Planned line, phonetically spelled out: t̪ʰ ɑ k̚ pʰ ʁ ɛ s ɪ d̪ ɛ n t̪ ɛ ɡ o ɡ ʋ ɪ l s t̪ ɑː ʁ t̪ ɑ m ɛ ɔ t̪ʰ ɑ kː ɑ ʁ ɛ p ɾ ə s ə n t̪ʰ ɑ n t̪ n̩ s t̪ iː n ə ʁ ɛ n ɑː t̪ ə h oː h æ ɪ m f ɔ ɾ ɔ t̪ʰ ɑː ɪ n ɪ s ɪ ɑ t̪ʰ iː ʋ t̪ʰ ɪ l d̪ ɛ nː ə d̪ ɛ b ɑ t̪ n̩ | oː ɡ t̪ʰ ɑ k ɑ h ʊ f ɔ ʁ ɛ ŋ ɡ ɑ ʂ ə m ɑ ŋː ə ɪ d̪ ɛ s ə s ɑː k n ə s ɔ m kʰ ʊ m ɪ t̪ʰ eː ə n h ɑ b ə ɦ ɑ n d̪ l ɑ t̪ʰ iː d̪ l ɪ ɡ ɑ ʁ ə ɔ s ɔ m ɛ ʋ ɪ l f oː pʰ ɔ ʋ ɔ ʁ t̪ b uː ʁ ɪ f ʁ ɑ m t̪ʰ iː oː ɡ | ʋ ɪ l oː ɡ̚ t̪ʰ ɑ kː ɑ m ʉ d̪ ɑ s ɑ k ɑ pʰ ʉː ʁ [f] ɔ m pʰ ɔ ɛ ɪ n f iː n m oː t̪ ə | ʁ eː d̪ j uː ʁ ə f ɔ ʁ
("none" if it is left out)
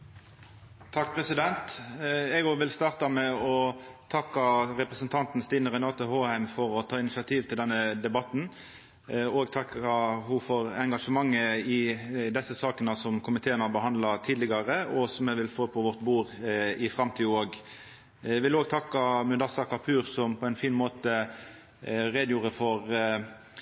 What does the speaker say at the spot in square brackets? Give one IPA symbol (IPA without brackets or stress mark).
s